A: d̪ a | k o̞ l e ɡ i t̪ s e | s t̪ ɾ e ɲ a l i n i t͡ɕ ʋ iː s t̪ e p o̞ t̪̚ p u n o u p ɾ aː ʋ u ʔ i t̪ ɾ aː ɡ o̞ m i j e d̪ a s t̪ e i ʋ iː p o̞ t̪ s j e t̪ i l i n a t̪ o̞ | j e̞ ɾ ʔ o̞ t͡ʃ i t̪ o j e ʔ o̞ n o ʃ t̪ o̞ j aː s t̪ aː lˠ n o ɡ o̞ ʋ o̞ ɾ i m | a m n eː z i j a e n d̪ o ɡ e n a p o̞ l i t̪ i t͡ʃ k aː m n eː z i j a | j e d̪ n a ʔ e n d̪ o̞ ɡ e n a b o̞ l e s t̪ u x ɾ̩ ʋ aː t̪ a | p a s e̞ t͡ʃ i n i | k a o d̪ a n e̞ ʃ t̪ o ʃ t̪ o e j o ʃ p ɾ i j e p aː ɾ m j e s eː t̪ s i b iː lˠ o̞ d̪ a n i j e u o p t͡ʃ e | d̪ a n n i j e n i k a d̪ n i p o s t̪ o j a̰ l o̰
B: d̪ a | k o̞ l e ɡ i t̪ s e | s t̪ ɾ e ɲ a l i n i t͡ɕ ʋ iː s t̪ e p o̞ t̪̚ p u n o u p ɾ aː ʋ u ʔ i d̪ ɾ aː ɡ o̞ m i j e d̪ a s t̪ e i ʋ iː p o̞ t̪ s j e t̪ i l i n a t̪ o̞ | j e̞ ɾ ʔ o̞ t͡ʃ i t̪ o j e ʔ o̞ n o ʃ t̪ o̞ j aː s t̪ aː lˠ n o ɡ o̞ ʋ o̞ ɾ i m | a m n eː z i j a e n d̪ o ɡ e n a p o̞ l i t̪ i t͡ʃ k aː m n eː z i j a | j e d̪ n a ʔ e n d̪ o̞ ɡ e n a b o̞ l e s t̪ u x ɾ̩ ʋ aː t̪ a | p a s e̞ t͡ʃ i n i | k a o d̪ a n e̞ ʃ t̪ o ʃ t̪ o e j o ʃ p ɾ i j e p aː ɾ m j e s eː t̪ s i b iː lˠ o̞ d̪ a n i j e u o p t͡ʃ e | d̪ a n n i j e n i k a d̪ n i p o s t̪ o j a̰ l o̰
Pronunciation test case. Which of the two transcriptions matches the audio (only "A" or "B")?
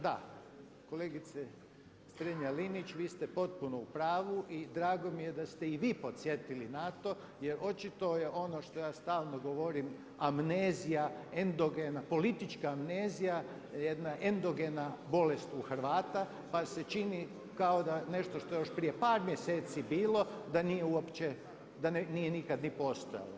B